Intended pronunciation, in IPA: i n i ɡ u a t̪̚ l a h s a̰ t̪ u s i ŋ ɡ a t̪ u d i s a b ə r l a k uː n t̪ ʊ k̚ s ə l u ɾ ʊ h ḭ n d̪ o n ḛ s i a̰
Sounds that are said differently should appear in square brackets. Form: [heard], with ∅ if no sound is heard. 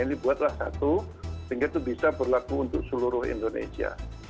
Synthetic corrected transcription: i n i [b] u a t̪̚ l a h s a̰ t̪ u s i ŋ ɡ a t̪ u [b] i s a b ə r l a k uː n t̪ ʊ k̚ s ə l u ɾ ʊ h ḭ n d̪ o n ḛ s i a̰